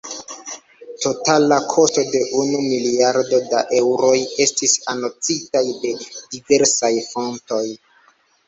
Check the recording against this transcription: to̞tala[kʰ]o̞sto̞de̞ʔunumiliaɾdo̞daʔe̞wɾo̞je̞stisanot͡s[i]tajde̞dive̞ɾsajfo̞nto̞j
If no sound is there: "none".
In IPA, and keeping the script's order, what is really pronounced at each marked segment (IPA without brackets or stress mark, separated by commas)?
kʰ, i